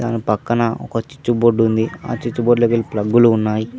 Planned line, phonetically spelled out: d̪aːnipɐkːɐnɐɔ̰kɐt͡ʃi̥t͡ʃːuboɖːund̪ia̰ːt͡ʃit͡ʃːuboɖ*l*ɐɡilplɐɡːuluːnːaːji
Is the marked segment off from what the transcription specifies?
no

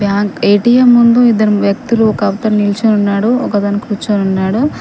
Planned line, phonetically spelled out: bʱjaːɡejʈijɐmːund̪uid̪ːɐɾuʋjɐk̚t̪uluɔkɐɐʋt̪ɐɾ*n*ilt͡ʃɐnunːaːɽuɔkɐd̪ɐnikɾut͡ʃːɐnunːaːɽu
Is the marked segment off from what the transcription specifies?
no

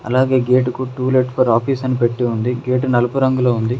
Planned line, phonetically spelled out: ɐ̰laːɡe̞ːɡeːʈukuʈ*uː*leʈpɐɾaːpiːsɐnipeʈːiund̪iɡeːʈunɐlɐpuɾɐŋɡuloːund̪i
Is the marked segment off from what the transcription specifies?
no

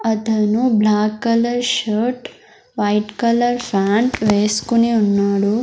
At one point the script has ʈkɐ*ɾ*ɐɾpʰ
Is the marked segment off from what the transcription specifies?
yes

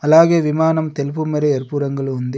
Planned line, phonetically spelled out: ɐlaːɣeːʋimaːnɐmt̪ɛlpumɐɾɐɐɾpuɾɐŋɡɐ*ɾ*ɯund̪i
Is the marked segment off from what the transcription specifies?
yes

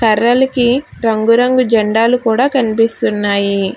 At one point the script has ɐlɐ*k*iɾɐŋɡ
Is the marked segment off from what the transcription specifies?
no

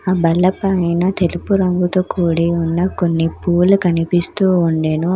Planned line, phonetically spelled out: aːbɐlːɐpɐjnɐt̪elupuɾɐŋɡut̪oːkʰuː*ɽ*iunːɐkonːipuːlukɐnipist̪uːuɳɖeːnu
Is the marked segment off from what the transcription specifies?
no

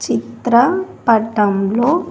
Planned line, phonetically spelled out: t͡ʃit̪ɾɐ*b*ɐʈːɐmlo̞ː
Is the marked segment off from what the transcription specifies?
yes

